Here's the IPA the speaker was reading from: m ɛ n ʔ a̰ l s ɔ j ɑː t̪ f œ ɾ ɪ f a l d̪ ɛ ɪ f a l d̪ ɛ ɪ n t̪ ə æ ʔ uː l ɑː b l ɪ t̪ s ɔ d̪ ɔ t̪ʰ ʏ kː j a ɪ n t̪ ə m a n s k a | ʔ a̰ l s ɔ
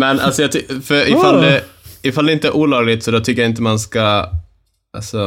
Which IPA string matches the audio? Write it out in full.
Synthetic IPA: m ɛ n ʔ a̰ l s ɔ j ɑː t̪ f œ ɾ ɪ f a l d̪ ɛ ɪ f a l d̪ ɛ ɪ n t̪ ə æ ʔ uː l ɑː ɡ l ɪ t̪ s ɔ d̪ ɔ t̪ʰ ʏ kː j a ɪ n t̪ ə m a n s k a | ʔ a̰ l s ɔ